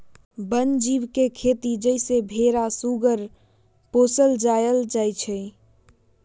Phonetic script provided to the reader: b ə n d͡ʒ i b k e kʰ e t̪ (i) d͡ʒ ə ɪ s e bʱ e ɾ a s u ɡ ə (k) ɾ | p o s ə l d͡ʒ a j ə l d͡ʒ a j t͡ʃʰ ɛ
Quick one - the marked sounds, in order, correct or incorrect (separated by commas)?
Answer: correct, incorrect